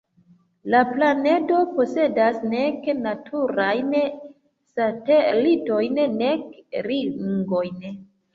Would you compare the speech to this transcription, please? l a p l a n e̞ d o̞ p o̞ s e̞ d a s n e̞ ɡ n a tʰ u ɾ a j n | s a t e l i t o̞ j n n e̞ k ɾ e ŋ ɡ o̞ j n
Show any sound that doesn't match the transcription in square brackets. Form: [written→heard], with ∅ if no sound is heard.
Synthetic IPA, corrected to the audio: l a p l a n e̞ d o̞ p o̞ s e̞ d a s n e̞ [ɡ→k] n a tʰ u ɾ a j n | s a t e l i t o̞ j n n e̞ k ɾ [e→i] ŋ ɡ o̞ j n